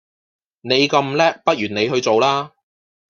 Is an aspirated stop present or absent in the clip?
absent